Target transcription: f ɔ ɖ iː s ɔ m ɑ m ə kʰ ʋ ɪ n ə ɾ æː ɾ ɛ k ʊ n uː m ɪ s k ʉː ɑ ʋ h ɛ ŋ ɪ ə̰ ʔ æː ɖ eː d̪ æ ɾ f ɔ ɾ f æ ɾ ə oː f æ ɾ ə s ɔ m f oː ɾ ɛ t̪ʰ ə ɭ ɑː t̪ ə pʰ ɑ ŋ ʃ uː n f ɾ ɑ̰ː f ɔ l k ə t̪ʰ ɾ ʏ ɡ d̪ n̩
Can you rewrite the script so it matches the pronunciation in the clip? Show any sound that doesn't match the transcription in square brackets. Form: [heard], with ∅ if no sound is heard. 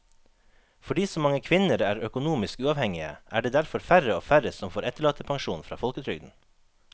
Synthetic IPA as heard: f ɔ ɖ iː s ɔ m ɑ [ŋ] ə kʰ ʋ ɪ n ə ɾ æː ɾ [œ] k ʊ n uː m ɪ s k ʉː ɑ ʋ h ɛ ŋ ɪ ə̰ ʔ æː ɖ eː d̪ æ ɾ f ɔ ɾ f æ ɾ ə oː f æ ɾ ə s ɔ m f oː ɾ ɛ [t̪] ə ɭ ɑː t̪ ə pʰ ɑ ŋ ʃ uː n f ɾ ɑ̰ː f ɔ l k ə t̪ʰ ɾ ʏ ɡ d̪ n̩